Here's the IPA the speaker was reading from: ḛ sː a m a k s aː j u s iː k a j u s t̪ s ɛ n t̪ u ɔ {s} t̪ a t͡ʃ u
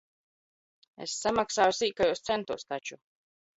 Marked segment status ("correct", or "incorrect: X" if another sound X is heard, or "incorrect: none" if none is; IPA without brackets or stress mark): correct